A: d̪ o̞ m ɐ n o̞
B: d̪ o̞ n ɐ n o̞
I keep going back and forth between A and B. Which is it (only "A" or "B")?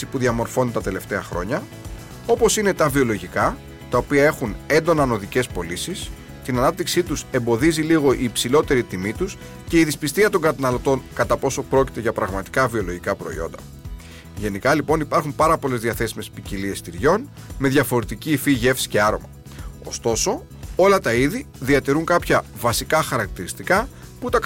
B